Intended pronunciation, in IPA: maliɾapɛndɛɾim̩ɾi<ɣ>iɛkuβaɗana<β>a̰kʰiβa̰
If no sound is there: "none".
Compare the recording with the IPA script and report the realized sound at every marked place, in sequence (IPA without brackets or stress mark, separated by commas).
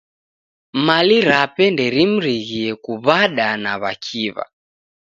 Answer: ɣ, β